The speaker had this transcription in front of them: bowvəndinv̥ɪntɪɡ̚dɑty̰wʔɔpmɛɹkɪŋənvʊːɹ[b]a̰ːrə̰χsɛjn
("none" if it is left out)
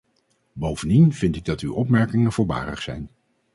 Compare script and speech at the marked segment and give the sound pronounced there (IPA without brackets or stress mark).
b